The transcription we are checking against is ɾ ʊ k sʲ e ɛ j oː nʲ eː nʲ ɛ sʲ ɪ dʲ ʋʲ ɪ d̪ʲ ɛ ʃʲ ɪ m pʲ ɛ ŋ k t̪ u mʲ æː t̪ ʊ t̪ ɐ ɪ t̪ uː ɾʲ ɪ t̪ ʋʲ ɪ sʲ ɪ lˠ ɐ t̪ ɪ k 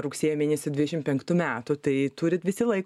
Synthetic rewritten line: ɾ ʊ k sʲ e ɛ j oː mʲ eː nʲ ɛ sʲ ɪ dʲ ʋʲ ɪ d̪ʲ ɛ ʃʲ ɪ m pʲ ɛ ŋ k t̪ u mʲ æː t̪ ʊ t̪ ɐ ɪ t̪ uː ɾʲ ɪ t̪ ʋʲ ɪ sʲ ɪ lˠ ɐ ɪ k